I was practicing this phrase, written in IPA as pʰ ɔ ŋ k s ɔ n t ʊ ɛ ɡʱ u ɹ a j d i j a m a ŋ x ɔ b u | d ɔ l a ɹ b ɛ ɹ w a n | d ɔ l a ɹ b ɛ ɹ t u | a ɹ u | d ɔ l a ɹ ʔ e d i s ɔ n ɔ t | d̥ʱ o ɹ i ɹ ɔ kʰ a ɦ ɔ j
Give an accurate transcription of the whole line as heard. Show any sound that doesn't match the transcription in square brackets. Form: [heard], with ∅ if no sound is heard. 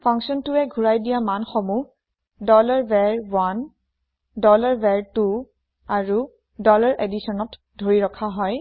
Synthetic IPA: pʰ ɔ ŋ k s ɔ n t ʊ ɛ ɡʱ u ɹ a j d i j a m a [n] x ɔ [m] u | d ɔ l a ɹ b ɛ ɹ w a n | d ɔ l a ɹ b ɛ ɹ t u | a ɹ u | d ɔ l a ɹ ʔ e d i s ɔ n ɔ t | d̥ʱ o ɹ i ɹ ɔ kʰ a ɦ ɔ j